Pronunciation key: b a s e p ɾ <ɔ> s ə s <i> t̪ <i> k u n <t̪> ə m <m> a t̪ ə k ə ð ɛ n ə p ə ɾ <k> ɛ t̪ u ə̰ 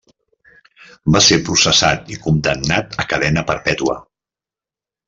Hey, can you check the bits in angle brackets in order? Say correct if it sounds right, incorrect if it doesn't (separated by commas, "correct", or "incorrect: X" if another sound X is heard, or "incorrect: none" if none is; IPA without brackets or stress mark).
incorrect: u, incorrect: a, correct, incorrect: d̪, incorrect: n, incorrect: p